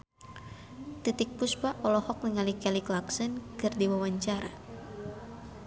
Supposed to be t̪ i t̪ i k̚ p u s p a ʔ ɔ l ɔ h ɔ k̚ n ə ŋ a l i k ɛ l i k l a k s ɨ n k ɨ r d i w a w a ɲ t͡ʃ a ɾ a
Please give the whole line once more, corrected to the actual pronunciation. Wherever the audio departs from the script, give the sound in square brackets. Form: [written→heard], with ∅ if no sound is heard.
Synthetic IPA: t̪ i t̪ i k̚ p u s p a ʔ ɔ l ɔ h ɔ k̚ n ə ŋ a l i k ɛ l i k l a k s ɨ n k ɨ r d i w a w a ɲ t͡ʃ a ɾ a